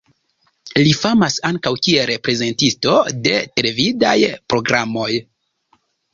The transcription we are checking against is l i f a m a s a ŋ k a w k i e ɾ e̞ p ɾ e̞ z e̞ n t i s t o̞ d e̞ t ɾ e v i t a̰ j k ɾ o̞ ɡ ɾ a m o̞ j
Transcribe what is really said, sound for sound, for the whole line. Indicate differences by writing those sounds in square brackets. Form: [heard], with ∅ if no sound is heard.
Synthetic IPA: l i f a m a s a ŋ k a w k i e ɾ e̞ p ɾ e̞ z e̞ n t i s t o̞ d e̞ t ɾ e v i [d] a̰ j [p] ɾ o̞ ɡ ɾ a m o̞ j